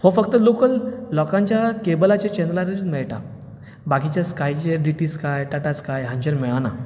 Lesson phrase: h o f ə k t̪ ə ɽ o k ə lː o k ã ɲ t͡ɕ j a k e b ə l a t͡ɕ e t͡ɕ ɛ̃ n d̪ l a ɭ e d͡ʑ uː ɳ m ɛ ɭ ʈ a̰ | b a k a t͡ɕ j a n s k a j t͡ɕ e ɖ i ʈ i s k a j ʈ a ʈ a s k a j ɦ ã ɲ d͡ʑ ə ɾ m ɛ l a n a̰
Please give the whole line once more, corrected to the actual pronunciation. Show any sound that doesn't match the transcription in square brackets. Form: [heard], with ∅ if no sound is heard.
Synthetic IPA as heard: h o f ə k t̪ ə [l] o k ə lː [ɔ] k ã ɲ t͡ɕ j a k e b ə l a t͡ɕ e t͡ɕ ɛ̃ n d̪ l a [ɾ] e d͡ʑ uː [n] m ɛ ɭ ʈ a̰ | b a k [i] t͡ɕ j a [∅] s k a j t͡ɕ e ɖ i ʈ i s k a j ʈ a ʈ a s k a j ɦ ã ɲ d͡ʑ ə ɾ m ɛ [ɭ] a n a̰